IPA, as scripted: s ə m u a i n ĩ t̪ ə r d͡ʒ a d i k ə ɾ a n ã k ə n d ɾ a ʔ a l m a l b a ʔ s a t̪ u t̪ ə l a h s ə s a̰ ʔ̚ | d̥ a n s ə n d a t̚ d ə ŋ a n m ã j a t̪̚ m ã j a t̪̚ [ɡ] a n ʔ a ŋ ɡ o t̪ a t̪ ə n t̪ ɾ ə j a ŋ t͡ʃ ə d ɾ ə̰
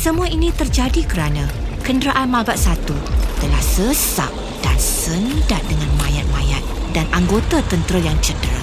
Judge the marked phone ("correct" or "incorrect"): incorrect